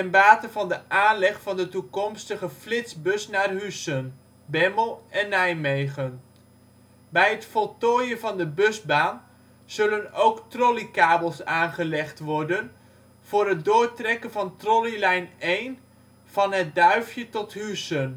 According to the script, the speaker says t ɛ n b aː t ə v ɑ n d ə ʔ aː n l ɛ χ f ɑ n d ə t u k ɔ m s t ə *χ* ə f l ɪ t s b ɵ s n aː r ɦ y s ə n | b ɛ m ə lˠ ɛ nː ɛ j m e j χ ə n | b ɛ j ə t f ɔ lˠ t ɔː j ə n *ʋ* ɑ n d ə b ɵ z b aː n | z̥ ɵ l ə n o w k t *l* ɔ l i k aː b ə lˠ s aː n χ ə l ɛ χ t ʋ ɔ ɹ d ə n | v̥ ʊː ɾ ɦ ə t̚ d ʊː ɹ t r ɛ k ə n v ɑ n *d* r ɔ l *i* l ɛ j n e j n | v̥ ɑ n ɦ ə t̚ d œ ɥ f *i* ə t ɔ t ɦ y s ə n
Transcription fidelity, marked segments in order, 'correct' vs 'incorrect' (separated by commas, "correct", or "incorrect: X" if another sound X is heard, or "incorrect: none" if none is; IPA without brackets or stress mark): correct, incorrect: v, incorrect: r, incorrect: t, correct, incorrect: j